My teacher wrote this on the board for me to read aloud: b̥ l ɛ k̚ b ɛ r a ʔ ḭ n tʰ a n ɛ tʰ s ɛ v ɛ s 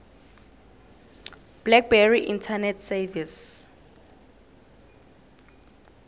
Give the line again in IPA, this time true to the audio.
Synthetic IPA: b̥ l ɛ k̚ b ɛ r i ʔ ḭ n tʰ a n ɛ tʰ s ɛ v i s